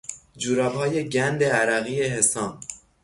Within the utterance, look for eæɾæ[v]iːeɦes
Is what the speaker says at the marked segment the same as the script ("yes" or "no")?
no